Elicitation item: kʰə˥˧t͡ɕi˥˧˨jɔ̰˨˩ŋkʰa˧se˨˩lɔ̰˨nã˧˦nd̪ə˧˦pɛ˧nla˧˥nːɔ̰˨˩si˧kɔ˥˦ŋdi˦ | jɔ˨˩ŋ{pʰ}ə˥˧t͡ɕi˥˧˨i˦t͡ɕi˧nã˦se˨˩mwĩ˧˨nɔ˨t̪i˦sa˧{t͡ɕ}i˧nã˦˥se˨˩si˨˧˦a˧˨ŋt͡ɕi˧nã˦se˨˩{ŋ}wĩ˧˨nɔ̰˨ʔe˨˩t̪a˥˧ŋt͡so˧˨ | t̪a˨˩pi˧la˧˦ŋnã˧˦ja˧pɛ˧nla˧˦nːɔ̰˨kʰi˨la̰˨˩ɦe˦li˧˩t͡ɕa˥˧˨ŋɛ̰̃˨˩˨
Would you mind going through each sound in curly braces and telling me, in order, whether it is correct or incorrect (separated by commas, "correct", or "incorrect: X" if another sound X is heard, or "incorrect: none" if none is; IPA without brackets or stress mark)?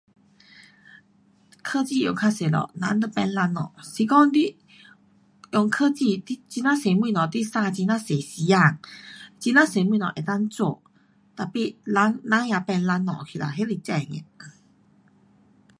incorrect: kʰ, correct, incorrect: m